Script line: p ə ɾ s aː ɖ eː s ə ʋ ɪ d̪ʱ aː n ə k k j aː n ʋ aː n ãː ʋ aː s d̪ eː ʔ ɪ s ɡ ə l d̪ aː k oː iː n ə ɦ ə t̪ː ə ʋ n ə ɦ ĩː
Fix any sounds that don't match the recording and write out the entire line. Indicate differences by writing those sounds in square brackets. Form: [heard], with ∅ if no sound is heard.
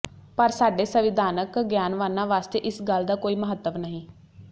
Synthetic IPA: p ə ɾ s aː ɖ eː s ə ʋ ɪ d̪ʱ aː n ə k [ɡ] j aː n ʋ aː n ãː ʋ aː s [t̪] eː ʔ ɪ s ɡ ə l d̪ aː k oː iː [m] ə ɦ ə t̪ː ə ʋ n ə ɦ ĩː